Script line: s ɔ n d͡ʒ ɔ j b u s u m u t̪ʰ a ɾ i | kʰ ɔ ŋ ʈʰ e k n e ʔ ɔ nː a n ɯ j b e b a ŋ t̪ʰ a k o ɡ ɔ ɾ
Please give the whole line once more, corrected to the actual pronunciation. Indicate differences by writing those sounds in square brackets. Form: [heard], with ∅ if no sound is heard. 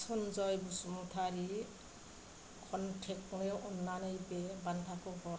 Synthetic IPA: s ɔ n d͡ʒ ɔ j b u s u m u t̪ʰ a ɾ i | kʰ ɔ [n] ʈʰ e k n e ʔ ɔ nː a n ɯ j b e b a [n] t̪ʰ a k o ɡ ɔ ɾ

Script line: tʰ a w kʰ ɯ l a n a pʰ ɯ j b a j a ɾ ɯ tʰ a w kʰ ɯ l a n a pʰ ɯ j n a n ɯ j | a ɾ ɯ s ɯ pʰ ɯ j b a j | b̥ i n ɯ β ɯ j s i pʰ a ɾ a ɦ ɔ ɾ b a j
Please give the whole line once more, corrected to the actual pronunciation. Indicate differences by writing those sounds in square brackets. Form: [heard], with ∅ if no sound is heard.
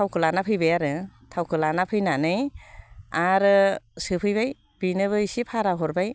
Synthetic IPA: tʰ a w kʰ ɯ l a n a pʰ ɯ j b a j a ɾ ɯ tʰ a w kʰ ɯ l a n a pʰ ɯ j n a n ɯ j | a ɾ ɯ s ɯ pʰ ɯ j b a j | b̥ i n ɯ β ɯ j s i pʰ a ɾ a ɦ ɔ ɾ b a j

